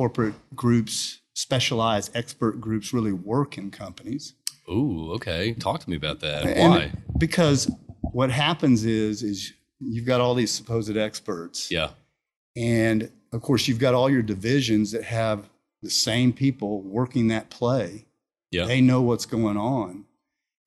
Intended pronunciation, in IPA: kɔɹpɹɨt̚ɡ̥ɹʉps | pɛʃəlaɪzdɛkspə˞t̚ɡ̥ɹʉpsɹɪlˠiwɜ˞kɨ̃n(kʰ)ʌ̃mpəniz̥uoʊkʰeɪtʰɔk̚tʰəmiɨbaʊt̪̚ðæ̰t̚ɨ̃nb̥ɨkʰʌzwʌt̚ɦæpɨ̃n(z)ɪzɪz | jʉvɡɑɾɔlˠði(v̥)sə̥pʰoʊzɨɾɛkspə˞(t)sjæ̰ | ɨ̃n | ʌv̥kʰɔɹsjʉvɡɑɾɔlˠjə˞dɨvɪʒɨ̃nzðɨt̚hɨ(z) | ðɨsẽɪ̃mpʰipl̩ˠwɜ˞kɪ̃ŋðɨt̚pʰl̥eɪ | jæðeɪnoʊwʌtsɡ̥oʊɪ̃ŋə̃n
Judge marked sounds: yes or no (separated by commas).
yes, yes, no, yes, no